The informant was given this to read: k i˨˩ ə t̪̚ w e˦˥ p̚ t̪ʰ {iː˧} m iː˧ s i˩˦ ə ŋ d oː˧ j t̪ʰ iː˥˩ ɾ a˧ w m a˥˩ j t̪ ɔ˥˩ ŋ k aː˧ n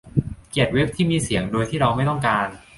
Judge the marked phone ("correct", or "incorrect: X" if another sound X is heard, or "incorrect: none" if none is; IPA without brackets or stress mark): incorrect: iː˥˩